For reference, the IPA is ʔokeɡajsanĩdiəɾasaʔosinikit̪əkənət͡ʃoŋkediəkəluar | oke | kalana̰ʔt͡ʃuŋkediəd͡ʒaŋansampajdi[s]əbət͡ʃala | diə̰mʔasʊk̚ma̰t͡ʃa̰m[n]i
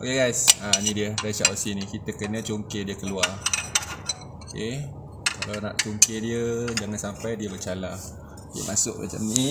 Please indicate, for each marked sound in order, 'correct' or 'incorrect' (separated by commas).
incorrect, correct